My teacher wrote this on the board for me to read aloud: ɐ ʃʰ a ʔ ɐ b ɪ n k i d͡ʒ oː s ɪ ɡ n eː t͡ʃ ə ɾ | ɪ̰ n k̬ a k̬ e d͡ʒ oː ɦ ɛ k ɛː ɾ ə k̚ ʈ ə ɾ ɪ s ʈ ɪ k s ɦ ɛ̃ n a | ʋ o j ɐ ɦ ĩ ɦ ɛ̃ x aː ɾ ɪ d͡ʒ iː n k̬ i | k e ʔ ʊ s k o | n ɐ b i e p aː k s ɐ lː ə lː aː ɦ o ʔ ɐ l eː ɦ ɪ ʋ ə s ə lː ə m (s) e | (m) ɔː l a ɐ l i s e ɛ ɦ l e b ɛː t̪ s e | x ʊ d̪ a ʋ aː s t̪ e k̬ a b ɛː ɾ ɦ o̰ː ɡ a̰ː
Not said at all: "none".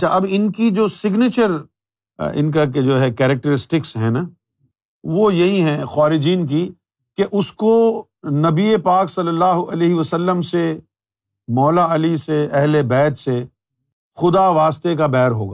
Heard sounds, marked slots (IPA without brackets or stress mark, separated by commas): s, m